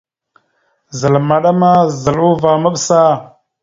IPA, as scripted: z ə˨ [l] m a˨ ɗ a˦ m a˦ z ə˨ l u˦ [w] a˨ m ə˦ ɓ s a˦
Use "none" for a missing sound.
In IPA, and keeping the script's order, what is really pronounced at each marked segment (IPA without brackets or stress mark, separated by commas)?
l, v